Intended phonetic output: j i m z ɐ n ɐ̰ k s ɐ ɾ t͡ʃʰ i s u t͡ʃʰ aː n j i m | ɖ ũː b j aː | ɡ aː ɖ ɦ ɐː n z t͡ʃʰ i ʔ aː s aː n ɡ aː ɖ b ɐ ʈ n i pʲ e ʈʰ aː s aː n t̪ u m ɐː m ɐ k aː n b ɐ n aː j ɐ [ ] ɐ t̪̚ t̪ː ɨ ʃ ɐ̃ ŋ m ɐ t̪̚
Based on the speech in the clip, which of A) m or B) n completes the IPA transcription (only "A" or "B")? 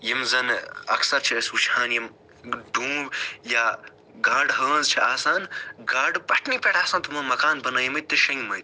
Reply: A